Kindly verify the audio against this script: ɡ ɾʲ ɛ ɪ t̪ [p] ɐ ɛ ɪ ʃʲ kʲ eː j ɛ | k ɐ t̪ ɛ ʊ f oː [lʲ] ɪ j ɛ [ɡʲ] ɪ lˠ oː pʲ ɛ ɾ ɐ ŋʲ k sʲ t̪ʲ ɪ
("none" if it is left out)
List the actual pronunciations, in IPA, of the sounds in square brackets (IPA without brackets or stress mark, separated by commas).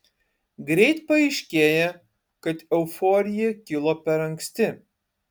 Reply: p, ɾʲ, kʲ